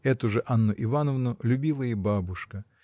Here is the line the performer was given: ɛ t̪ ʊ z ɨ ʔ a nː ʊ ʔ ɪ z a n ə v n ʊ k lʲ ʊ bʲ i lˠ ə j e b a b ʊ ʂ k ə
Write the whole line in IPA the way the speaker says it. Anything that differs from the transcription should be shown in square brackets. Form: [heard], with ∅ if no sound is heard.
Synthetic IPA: ɛ t̪ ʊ [ʐ] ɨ ʔ a nː ʊ ʔ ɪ [v] a n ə v n ʊ [∅] lʲ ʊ bʲ i lˠ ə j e b a b ʊ ʂ k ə